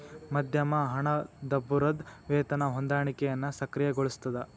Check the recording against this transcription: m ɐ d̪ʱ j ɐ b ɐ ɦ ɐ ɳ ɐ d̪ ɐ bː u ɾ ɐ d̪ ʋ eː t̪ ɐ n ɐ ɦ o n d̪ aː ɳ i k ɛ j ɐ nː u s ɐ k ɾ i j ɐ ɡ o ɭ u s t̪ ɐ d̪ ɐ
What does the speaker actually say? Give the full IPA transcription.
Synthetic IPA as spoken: m ɐ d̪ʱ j ɐ m ɐ ɦ ɐ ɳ ɐ d̪ ɐ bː u ɾ ɐ d̪ ʋ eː t̪ ɐ n ɐ ɦ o n d̪ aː ɳ i k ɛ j ɐ nː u s ɐ k ɾ i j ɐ ɡ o ɭ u s t̪ ɐ d̪ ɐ